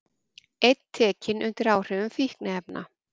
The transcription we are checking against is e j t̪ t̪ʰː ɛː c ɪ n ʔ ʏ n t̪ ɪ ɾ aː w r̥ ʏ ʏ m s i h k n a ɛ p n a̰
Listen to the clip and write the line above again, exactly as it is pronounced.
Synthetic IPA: e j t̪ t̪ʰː ɛː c ɪ n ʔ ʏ n t̪ ɪ ɾ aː w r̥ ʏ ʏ m f i h k n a ɛ p n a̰